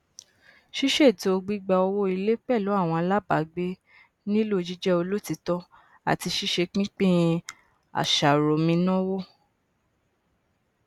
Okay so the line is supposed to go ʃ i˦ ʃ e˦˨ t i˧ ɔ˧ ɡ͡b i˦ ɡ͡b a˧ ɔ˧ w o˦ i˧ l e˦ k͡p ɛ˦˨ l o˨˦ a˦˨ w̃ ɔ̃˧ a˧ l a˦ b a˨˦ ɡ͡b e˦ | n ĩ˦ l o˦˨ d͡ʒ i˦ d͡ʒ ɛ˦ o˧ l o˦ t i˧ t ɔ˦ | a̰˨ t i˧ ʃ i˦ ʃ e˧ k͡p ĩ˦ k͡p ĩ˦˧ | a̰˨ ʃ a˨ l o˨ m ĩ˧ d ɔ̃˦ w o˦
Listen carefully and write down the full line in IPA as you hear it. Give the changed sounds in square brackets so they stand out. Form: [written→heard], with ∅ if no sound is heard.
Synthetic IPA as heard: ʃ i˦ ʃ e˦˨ t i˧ [ɔ˧→o˧] ɡ͡b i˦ ɡ͡b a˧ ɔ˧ w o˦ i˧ l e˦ k͡p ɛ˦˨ l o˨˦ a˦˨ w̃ ɔ̃˧ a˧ l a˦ b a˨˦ ɡ͡b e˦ | n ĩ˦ l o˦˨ d͡ʒ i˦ d͡ʒ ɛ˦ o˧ l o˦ t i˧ t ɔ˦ | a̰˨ t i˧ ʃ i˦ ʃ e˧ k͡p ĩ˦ k͡p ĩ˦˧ | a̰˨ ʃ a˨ [l→ɾ] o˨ m ĩ˧ [d→n] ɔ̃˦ w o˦